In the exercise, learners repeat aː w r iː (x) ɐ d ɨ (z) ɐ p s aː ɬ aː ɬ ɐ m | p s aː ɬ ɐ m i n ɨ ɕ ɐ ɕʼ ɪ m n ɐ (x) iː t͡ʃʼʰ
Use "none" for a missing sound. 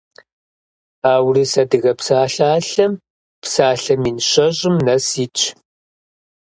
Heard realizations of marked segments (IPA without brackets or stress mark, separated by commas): s, ɣ, s